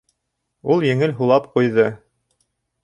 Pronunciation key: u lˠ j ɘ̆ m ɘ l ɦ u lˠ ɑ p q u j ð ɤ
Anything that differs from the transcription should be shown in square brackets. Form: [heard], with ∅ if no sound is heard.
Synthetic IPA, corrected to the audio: u lˠ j ɘ̆ [ŋ] ɘ l ɦ u lˠ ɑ p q u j ð ɤ